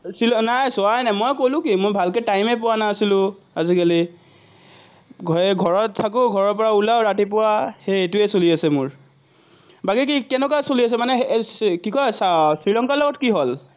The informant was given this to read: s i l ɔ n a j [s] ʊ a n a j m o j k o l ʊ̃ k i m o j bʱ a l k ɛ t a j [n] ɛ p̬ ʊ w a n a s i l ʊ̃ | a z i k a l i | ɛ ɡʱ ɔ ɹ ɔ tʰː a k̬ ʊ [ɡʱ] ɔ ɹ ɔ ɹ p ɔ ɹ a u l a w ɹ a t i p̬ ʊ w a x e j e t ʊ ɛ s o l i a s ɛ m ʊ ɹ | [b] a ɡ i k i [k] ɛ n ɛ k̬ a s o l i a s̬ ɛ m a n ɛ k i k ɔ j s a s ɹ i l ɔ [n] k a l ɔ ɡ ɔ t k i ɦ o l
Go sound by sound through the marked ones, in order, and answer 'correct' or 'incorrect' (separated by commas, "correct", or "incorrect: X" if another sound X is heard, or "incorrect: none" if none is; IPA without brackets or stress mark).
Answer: correct, incorrect: m, correct, correct, correct, incorrect: ŋ